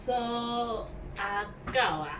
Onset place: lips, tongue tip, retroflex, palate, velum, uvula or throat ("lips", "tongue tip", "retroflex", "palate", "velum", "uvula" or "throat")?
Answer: tongue tip